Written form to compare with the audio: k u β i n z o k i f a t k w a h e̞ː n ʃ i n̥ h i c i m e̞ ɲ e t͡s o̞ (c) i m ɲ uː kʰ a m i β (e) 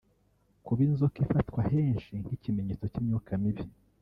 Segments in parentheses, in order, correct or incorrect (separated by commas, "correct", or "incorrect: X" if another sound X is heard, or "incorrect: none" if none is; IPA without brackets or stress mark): correct, incorrect: i